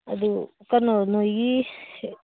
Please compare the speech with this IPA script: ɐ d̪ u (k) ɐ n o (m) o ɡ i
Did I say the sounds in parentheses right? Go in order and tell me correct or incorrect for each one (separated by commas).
correct, incorrect